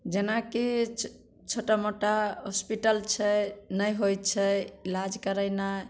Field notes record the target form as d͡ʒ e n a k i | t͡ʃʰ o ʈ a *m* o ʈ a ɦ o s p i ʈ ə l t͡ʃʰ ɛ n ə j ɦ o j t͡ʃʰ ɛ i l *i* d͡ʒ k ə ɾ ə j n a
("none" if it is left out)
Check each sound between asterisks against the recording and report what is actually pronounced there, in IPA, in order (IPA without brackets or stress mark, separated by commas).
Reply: m, a